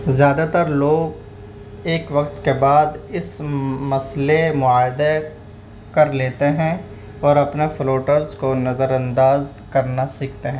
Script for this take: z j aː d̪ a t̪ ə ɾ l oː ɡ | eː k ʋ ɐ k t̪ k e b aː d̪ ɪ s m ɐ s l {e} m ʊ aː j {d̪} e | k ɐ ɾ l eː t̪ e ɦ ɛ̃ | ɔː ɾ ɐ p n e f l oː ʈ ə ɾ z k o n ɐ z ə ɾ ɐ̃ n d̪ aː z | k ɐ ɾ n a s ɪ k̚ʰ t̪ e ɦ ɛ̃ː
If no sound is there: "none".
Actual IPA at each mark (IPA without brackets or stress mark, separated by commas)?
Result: e, d̪